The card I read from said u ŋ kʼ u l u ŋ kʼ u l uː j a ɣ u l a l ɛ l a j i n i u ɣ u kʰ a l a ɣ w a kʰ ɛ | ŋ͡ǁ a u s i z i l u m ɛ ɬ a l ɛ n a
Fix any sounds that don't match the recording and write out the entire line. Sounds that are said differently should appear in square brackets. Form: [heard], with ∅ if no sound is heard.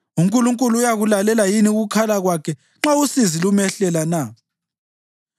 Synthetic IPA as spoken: u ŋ kʼ u l u ŋ kʼ u l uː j a ɣ u l a l ɛ l a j i n i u ɣ u kʰ a l a ɣ w a kʰ ɛ | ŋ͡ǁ a u s i z i l u m ɛ ɬ [ɛ] l [a] n a